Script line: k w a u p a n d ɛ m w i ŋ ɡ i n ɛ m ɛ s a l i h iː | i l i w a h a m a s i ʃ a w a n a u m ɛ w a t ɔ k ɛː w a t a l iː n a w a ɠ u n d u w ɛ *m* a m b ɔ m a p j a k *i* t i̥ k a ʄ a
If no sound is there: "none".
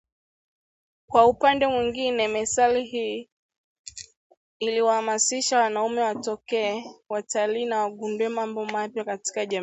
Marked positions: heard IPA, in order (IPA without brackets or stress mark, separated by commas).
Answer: m, a